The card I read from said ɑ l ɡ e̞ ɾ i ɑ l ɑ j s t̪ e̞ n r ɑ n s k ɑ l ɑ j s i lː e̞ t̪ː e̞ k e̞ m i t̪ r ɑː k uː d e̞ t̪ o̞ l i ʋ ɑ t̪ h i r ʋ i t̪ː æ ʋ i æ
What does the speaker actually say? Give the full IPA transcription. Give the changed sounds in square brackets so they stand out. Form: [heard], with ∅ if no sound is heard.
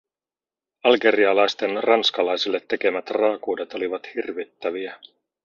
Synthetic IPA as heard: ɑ l ɡ e̞ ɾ i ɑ l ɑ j s t̪ e̞ n r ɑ n s k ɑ l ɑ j s i lː e̞ t̪ː e̞ k e̞ m [æ] t̪ r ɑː k uː d e̞ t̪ o̞ l i ʋ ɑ t̪ h i r ʋ i t̪ː æ ʋ i æ